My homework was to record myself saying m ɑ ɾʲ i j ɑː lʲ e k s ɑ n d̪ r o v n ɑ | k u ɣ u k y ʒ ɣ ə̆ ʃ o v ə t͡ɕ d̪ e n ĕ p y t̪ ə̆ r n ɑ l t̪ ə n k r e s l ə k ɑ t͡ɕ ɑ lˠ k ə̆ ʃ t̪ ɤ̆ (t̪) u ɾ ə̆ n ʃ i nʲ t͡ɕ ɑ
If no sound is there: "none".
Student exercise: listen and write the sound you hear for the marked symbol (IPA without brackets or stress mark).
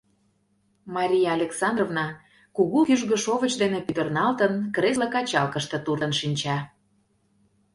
t̪